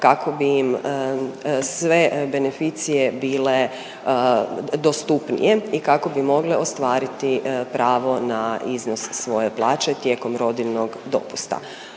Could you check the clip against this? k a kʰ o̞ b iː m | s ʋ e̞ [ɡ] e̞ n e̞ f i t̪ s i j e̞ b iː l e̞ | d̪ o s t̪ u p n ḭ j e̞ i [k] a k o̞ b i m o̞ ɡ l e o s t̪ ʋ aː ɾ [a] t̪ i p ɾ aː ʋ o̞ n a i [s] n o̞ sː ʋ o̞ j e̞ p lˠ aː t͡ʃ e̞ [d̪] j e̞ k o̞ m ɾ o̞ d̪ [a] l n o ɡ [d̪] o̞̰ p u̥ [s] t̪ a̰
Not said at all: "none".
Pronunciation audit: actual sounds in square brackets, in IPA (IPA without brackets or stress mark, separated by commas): b, k, i, z, t̪, i, d̪, s